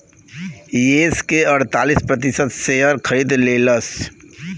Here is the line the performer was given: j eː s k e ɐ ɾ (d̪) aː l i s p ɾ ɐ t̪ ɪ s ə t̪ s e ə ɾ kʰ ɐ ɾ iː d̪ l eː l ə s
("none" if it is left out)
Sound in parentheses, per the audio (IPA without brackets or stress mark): t̪